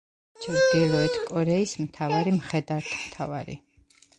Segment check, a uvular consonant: present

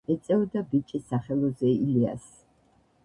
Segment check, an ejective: present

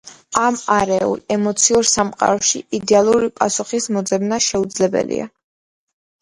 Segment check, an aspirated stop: absent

